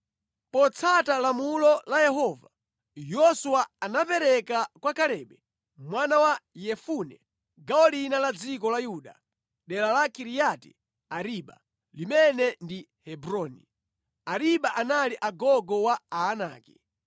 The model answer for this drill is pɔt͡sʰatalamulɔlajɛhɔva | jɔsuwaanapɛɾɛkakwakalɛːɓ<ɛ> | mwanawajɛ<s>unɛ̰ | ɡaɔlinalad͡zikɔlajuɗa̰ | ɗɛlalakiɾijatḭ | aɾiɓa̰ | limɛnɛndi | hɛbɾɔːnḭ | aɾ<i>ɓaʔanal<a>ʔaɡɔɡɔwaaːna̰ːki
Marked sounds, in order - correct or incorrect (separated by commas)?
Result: correct, incorrect, correct, incorrect